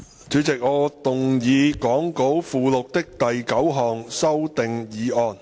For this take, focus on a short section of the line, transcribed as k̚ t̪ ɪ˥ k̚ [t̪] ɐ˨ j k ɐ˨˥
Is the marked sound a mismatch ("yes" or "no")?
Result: no